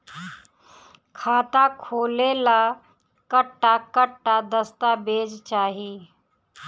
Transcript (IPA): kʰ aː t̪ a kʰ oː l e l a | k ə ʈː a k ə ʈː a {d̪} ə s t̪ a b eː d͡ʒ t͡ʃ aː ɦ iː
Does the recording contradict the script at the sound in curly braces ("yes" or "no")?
no